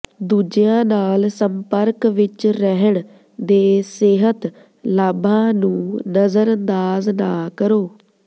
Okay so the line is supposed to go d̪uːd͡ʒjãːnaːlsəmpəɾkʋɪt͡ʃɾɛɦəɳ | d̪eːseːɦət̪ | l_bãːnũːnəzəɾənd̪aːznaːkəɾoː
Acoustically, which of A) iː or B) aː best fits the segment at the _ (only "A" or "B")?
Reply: B